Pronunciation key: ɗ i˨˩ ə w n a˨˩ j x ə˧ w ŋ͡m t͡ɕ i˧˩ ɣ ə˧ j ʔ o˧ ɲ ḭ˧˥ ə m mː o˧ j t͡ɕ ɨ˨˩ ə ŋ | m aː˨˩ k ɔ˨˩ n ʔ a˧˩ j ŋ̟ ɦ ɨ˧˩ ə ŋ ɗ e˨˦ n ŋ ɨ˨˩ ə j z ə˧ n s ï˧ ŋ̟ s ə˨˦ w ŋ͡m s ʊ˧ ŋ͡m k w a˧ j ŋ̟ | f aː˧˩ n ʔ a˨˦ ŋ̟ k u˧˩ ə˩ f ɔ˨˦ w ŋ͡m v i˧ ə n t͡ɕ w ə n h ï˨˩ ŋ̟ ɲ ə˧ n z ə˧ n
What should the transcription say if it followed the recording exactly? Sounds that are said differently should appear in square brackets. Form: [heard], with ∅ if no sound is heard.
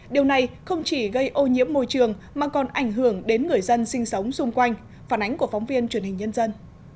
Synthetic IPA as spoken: ɗ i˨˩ ə w n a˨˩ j x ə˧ w ŋ͡m t͡ɕ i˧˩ ɣ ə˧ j ʔ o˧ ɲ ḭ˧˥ ə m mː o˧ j t͡ɕ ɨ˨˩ ə ŋ | m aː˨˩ k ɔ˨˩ n ʔ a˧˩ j ŋ̟ ɦ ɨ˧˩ ə ŋ ɗ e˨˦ n ŋ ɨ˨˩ ə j z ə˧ n s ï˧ ŋ̟ s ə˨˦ w ŋ͡m s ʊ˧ ŋ͡m k w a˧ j ŋ̟ | f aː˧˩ n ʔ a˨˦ ŋ̟ k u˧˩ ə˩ f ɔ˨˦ w ŋ͡m v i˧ ə n t͡ɕ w ə n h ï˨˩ ŋ̟ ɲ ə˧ n z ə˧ n